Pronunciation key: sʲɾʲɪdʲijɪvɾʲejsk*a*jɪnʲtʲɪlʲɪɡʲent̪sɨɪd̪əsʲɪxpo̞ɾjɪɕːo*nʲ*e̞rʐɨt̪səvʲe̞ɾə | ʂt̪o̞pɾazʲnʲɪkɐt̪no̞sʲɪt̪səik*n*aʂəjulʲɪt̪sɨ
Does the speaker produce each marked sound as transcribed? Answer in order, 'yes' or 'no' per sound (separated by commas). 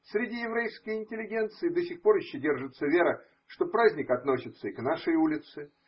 no, no, yes